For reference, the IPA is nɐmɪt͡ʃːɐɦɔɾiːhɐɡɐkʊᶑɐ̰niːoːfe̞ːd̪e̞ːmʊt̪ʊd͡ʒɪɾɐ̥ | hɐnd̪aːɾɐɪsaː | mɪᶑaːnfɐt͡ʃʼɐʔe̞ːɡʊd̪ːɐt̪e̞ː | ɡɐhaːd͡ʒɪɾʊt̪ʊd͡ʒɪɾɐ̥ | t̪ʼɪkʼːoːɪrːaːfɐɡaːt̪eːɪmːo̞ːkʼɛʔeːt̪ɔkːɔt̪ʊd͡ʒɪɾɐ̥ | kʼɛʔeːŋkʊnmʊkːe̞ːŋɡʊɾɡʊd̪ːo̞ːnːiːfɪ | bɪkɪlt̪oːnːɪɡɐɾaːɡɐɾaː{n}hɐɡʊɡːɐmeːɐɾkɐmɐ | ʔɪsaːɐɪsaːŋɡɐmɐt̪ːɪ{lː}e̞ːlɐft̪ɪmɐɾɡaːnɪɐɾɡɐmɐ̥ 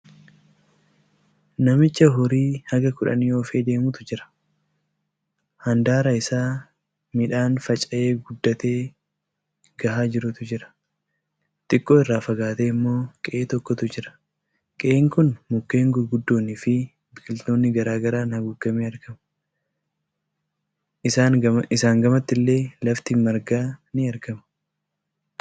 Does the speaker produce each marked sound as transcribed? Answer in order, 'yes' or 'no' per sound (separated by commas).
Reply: yes, yes